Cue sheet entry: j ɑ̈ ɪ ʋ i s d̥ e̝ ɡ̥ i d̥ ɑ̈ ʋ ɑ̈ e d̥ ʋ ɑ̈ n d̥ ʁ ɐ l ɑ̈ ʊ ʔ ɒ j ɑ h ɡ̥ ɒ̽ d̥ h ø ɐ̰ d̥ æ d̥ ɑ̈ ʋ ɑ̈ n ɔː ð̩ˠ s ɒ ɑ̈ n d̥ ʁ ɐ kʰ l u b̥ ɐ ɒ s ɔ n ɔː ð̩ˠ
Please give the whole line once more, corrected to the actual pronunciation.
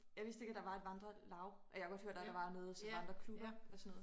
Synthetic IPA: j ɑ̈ ɪ ʋ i s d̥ e̝ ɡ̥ æ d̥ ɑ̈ ʋ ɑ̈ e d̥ ʋ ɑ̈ n d̥ ʁ ɐ l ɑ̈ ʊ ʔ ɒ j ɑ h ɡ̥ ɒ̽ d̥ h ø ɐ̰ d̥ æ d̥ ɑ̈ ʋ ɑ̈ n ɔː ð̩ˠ s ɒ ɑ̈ n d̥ ʁ ɐ kʰ l u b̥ ɐ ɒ s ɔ n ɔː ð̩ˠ